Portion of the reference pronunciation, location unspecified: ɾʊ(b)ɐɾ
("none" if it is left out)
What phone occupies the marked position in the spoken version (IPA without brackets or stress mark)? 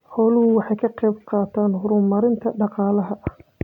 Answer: m